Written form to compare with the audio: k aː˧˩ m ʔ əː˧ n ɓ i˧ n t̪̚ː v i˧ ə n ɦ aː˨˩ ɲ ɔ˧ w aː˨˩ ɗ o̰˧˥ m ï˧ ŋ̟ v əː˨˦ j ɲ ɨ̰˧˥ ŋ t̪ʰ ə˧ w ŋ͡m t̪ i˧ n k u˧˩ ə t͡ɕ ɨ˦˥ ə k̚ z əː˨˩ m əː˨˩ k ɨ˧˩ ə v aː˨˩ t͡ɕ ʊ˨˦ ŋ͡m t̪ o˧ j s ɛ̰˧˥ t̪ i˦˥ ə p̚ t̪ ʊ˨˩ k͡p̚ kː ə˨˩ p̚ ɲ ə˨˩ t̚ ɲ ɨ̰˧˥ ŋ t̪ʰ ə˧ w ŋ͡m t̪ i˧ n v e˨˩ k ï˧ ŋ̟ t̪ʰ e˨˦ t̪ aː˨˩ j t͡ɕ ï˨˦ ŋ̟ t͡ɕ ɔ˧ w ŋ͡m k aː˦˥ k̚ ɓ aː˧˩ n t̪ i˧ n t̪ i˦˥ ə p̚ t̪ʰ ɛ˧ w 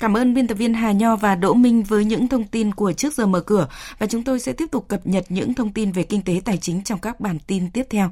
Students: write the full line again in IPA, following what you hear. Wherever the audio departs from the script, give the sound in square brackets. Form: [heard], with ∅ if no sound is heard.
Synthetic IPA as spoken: k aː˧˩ m ʔ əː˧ n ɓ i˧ n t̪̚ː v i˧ ə n ɦ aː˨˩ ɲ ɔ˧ [v] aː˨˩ ɗ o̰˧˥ m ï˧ ŋ̟ v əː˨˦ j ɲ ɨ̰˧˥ ŋ t̪ʰ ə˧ w ŋ͡m t̪ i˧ n k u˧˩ ə t͡ɕ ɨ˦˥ ə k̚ z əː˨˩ m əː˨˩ k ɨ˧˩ ə v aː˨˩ t͡ɕ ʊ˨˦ ŋ͡m t̪ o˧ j s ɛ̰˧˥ t̪ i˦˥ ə p̚ t̪ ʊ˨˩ k͡p̚ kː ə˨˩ p̚ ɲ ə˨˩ t̚ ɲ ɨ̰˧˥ ŋ t̪ʰ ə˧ w ŋ͡m t̪ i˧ n v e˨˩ k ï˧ ŋ̟ [t̪] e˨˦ t̪ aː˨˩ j t͡ɕ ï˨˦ ŋ̟ t͡ɕ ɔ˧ w ŋ͡m k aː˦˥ k̚ ɓ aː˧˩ n t̪ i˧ n t̪ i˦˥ ə p̚ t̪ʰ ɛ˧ w